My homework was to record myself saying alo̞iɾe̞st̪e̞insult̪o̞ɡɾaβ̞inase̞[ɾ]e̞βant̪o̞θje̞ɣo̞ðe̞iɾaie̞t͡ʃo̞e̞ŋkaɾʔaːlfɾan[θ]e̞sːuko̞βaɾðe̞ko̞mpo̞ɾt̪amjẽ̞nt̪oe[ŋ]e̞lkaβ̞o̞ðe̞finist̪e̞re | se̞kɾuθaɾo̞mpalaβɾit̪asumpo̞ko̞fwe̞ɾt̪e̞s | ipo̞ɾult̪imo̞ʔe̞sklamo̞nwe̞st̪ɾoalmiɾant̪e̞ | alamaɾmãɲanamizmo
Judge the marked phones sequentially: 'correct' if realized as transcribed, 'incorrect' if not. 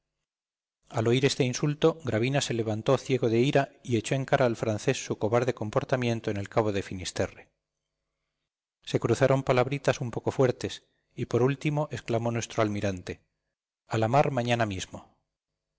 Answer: incorrect: l, correct, incorrect: n

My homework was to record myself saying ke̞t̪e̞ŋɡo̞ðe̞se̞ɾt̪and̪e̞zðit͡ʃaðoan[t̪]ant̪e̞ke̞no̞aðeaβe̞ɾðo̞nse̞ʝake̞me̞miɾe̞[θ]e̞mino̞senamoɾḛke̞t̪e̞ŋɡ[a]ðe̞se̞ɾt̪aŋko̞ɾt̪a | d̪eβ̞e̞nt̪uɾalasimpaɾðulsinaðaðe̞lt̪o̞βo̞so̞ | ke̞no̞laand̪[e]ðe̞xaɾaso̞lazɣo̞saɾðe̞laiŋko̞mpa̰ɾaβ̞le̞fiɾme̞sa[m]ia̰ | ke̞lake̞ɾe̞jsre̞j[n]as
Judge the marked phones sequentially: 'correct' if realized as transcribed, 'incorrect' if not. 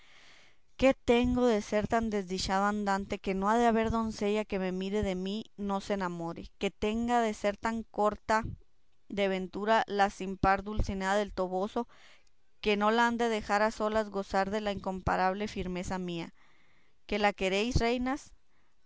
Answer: incorrect: d̪, incorrect: ð, correct, correct, correct, correct

